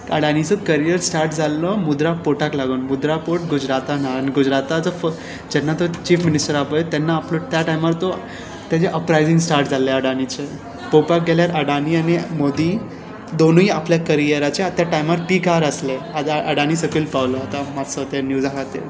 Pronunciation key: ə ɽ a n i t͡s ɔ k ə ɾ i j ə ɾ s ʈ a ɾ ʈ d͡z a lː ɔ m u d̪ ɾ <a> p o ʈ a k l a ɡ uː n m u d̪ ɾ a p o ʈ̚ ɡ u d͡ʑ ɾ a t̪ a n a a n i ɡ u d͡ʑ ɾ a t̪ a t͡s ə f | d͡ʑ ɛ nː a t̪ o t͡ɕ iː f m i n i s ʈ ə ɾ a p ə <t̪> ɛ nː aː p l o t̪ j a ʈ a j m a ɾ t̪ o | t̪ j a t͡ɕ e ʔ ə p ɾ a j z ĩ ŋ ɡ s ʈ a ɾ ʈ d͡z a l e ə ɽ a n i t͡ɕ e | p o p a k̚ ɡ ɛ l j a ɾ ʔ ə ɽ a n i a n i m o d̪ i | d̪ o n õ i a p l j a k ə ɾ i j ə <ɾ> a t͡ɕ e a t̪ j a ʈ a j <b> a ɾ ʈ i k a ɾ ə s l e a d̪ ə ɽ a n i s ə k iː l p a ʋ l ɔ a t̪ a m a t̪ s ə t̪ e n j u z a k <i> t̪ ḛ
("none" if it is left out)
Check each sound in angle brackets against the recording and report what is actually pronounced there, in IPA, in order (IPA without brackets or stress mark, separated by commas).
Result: a, t̪, ɾ, m, a